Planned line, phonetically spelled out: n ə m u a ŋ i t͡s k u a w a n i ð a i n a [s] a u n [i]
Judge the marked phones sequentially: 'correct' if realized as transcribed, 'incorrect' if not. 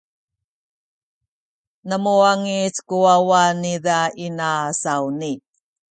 correct, correct

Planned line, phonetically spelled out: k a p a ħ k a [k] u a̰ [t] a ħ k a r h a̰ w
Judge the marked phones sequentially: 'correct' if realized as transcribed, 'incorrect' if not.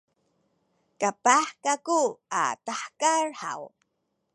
correct, correct

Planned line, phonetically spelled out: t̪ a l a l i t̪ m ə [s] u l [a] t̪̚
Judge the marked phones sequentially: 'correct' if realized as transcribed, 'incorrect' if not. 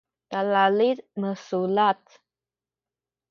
correct, correct

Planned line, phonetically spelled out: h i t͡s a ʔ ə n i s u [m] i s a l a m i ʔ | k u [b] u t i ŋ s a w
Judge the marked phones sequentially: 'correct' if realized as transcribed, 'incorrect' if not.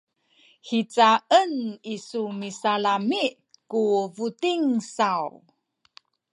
correct, incorrect

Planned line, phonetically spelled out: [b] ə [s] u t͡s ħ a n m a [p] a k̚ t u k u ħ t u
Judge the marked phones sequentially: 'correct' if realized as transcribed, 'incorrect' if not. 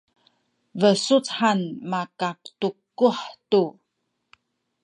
incorrect, correct, incorrect

